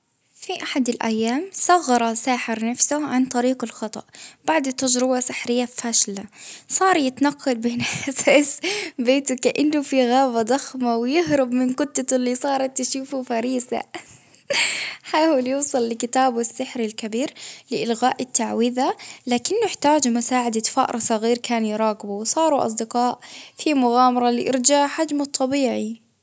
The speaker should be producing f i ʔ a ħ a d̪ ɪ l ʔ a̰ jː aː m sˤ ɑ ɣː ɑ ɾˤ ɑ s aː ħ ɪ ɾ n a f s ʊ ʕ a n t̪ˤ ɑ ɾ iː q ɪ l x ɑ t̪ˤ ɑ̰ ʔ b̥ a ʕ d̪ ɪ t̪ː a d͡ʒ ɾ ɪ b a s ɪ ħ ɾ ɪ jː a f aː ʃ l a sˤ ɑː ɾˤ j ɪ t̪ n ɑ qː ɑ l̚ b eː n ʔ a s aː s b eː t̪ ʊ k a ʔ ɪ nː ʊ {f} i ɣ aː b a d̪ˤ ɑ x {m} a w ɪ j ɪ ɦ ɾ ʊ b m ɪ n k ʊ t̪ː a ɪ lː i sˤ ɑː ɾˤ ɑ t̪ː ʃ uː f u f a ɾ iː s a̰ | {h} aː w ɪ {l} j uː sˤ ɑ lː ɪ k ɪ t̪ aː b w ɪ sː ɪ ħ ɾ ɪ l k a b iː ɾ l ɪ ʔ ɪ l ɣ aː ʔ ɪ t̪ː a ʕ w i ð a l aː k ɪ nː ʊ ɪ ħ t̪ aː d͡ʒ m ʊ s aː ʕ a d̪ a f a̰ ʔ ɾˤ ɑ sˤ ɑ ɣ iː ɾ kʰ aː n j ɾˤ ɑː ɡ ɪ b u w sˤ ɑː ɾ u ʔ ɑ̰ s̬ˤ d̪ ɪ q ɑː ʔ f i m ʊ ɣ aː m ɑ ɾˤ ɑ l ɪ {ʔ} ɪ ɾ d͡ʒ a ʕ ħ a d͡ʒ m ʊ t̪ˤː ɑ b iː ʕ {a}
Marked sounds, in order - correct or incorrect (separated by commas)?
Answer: correct, correct, incorrect, correct, correct, incorrect